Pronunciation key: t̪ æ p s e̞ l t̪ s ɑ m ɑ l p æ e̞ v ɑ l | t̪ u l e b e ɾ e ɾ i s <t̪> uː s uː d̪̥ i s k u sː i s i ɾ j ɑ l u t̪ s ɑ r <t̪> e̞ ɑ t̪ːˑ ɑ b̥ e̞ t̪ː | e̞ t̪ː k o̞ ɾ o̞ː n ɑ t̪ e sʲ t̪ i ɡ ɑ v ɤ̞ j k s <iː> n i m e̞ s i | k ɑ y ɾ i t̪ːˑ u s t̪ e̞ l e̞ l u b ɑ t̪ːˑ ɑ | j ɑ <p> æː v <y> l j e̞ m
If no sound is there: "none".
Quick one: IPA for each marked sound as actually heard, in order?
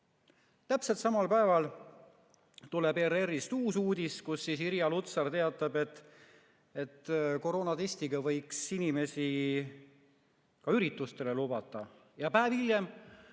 t̪, t̪, i, p, i

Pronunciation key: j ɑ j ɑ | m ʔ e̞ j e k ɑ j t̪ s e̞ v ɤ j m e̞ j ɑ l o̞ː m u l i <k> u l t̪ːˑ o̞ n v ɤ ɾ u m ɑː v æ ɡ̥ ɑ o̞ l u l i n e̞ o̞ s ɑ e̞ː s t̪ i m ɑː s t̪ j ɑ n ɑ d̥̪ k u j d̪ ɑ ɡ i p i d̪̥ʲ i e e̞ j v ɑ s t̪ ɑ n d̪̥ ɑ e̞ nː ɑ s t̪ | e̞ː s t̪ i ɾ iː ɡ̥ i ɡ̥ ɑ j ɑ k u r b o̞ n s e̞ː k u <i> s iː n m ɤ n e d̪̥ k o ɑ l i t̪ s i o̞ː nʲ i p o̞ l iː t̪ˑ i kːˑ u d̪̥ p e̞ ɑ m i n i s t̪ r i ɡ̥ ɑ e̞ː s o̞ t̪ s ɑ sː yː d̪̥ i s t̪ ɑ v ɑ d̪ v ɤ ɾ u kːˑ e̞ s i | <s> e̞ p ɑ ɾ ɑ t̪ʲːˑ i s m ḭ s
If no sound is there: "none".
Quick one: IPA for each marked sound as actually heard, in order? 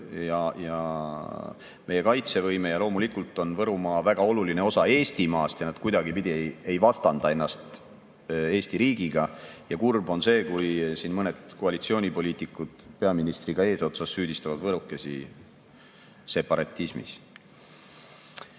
k, j, s

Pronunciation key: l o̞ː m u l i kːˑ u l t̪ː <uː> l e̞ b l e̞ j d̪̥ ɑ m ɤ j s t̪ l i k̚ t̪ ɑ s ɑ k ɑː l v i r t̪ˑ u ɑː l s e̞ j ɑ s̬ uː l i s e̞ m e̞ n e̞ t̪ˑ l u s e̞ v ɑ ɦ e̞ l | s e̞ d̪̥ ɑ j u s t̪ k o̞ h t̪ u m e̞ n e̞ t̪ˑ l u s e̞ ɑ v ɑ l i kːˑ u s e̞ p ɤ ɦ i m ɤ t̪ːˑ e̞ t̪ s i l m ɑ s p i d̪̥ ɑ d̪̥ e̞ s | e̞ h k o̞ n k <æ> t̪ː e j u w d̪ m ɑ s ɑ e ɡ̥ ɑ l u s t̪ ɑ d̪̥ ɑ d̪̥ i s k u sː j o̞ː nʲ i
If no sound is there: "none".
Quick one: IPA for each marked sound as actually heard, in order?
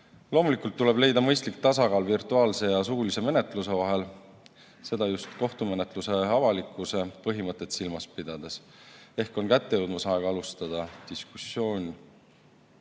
u, æ

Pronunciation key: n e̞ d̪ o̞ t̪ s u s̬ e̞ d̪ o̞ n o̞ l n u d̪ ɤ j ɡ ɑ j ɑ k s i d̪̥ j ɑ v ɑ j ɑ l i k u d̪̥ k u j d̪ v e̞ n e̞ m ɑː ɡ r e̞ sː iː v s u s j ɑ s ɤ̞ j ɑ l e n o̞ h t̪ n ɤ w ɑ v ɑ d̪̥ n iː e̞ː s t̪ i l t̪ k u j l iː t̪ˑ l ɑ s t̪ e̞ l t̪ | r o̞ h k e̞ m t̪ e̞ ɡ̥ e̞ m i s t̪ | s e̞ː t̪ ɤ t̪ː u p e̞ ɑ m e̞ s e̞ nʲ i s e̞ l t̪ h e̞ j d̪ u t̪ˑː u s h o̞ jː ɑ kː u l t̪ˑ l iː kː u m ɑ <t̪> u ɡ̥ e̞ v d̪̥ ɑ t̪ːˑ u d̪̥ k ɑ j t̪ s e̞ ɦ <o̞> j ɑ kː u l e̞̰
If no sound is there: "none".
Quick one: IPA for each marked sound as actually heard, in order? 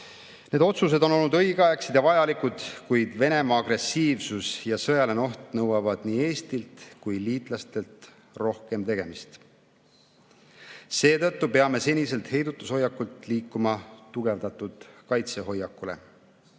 t̪, o̞

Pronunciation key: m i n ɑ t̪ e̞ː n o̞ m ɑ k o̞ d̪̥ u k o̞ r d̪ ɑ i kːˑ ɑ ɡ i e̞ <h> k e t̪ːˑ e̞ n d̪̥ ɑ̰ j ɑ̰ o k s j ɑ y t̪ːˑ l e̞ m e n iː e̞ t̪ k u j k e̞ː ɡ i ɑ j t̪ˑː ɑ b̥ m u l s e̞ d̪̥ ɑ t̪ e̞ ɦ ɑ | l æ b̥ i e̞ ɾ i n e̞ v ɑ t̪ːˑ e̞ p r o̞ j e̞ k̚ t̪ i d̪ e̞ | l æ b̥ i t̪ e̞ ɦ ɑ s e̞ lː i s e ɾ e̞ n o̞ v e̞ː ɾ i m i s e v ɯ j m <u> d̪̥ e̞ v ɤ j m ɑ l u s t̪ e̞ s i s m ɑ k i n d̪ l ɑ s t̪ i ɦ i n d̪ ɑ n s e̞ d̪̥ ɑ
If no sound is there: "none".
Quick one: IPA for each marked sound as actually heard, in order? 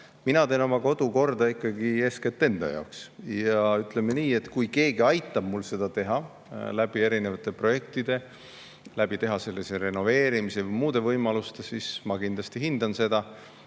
s, uː

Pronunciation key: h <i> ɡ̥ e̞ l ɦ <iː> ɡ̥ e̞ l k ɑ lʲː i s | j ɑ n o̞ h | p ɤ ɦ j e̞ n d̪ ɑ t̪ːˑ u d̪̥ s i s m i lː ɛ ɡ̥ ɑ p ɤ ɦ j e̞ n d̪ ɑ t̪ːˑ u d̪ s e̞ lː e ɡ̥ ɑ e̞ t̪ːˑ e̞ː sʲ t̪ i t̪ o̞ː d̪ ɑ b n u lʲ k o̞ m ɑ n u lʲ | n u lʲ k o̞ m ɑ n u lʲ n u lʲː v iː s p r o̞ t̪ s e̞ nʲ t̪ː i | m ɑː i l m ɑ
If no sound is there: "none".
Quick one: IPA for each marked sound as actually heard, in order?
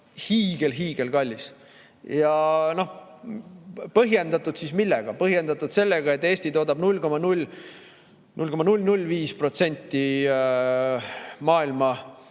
iː, iː

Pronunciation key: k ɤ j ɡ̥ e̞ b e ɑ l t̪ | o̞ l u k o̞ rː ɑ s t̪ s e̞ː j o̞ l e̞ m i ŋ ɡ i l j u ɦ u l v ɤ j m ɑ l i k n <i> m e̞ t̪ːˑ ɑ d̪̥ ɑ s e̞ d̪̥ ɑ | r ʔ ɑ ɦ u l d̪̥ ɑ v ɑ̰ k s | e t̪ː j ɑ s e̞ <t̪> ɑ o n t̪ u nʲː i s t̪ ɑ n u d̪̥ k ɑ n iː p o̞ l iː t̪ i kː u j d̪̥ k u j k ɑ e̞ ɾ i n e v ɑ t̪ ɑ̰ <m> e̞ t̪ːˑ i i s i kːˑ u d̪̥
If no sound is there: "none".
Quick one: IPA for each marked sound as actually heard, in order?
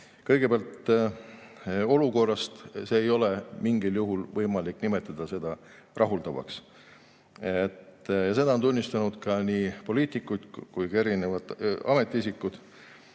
i, d̪, m

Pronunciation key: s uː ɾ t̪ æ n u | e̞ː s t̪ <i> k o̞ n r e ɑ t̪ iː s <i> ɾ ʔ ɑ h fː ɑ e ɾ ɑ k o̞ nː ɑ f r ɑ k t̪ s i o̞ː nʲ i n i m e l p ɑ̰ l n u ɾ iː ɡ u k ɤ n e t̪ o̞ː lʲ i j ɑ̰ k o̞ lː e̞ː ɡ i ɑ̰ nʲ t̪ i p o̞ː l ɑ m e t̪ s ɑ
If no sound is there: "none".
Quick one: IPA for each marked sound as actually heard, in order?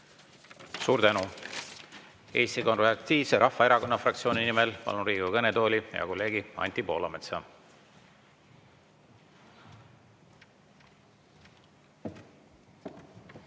i, e

